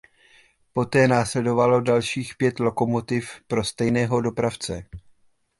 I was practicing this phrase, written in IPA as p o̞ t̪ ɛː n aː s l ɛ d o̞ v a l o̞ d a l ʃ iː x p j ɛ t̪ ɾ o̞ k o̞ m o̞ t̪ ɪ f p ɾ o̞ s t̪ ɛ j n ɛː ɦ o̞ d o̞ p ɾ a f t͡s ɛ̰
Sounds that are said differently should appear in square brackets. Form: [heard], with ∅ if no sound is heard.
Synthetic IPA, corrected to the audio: p o̞ t̪ ɛː n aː s l ɛ d o̞ v a l o̞ d a l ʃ iː x p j ɛ t̪ [l] o̞ k o̞ m o̞ t̪ ɪ f p ɾ o̞ s t̪ ɛ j n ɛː ɦ o̞ d o̞ p ɾ a f t͡s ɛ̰